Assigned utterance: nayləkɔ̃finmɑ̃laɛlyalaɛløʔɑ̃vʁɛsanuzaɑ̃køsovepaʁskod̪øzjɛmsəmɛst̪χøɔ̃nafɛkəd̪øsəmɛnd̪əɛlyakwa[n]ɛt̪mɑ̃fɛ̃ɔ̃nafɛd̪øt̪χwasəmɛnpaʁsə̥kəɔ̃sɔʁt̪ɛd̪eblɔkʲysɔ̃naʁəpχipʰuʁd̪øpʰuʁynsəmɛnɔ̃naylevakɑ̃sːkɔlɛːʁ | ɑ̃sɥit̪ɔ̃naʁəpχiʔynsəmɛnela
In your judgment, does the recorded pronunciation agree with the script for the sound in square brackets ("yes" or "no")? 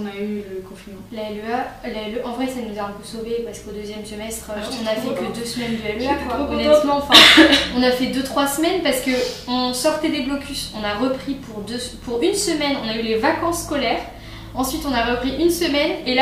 yes